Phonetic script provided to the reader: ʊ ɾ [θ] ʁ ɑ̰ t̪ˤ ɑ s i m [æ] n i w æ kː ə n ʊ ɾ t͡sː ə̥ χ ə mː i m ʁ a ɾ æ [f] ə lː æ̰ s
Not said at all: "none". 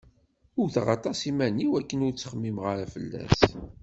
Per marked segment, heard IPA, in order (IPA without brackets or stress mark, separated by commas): θ, æ, f